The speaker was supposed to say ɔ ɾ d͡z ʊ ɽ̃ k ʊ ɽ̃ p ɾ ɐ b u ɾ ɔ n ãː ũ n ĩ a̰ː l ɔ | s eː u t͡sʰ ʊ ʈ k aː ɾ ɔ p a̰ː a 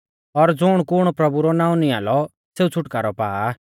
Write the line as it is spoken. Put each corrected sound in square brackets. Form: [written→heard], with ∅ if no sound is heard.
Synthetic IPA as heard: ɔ ɾ d͡z ʊ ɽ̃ k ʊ ɽ̃ p ɾ ɐ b u ɾ ɔ n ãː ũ n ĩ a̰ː l ɔ | s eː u t͡sʰ ʊ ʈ k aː ɾ ɔ p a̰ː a